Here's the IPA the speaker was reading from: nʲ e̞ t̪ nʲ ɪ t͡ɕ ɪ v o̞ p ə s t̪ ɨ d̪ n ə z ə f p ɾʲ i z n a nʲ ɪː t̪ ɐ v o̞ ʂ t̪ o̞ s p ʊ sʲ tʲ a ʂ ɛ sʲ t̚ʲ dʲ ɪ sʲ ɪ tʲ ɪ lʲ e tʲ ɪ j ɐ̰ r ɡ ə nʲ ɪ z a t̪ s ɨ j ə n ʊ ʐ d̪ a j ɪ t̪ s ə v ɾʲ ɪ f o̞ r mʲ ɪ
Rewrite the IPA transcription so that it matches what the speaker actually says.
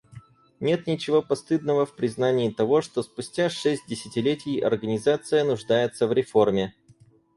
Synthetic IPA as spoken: nʲ e̞ t̪ nʲ ɪ t͡ɕ ɪ v o̞ p ɐ s t̪ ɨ d̪ n ə v ə f p ɾʲ ɪ z n a nʲ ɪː t̪ ɐ v o̞ ʂ t̪ o̞ s p ʊ sʲ tʲ a ʂ ɛ sʲ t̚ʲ dʲ ɪ sʲ ɪ tʲ ɪ lʲ e tʲ ɪ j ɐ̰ r ɡ ə nʲ ɪ z a t̪ s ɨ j ə n ʊ ʐ d̪ a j ɪ t̪ s ə v ɾʲ ɪ f o̞ r mʲ ɪ